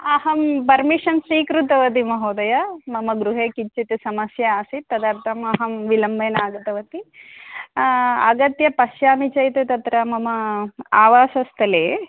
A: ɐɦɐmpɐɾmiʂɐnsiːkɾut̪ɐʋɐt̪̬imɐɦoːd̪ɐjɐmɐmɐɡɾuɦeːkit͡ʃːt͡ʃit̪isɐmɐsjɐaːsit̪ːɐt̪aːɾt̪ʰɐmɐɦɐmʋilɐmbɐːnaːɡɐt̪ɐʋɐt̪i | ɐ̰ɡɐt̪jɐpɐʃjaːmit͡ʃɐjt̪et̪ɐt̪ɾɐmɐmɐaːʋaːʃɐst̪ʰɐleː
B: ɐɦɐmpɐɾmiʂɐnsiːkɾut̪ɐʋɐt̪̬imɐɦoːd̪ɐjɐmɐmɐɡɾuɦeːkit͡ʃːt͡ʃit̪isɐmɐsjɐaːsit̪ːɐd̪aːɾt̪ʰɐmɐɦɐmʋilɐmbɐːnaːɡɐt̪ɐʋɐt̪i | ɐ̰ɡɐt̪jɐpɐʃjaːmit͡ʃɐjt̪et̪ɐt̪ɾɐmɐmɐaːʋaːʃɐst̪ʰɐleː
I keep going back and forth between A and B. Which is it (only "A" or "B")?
B